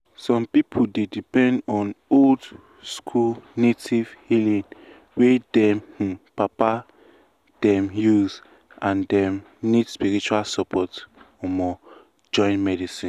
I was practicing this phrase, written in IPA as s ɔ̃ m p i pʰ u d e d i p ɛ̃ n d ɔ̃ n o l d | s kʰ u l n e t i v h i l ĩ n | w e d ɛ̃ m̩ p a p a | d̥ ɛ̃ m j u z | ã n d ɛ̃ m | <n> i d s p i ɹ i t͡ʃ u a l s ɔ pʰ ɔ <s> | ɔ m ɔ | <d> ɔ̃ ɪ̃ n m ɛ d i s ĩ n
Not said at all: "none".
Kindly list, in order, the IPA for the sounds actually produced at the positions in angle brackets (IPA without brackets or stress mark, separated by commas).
n, t, d͡ʒ